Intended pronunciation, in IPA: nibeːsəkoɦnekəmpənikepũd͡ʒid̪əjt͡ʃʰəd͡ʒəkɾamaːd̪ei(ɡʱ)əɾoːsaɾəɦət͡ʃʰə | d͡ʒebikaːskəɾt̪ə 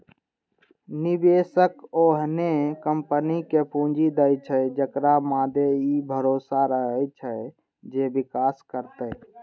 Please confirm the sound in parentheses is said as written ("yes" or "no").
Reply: no